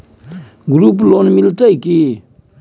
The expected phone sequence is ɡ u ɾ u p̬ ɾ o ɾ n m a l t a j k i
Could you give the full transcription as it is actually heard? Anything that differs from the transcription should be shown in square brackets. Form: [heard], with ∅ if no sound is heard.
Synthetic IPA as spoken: ɡ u ɾ u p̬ [l] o [∅] n m [i] l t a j k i